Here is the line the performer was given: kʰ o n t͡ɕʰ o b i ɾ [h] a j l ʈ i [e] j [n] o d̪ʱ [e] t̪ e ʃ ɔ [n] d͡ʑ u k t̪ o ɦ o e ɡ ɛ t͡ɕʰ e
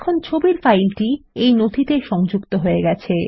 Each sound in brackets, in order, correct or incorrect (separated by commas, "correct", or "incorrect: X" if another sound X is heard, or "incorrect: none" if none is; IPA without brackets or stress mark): incorrect: f, correct, correct, incorrect: i, incorrect: ŋ